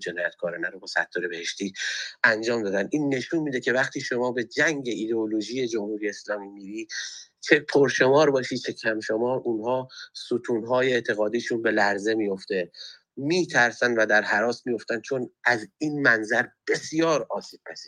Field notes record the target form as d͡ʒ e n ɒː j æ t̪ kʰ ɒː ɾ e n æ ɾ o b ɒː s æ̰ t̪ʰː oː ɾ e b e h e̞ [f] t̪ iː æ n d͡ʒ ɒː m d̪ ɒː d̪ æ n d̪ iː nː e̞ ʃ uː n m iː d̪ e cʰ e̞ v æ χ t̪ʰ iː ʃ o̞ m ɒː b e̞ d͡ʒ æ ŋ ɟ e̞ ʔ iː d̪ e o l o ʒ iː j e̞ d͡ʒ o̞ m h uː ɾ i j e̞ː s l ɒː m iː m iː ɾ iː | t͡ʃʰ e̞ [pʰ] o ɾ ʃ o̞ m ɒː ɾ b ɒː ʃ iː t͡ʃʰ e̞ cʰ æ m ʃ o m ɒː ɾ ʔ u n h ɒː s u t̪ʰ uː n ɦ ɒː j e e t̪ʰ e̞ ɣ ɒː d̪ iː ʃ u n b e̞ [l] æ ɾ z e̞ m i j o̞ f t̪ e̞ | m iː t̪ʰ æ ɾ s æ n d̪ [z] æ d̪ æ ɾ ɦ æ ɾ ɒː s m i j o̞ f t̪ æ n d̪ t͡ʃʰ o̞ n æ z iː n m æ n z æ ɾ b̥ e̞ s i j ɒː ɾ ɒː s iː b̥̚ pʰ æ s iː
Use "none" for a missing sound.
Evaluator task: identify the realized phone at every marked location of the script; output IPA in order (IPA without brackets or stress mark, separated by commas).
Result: ʃ, pʰ, l, v